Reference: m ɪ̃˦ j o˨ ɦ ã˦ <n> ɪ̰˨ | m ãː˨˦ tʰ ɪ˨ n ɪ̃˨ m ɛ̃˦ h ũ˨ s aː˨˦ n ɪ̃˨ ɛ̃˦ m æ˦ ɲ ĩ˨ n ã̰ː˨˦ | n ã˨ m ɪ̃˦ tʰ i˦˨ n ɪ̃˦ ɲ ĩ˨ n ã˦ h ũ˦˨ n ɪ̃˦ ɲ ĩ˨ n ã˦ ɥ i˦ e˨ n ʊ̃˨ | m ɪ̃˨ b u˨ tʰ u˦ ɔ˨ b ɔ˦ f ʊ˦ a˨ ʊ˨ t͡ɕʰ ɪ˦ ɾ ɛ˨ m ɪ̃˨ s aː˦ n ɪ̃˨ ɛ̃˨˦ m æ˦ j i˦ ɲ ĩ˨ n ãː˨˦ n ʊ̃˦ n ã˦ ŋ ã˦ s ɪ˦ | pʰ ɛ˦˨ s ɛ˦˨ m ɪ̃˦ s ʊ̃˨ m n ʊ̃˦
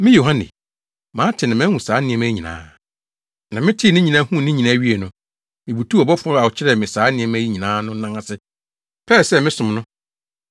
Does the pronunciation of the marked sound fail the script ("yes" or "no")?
no